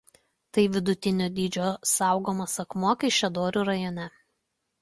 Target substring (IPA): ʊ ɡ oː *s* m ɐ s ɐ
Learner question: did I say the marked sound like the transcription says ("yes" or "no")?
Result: no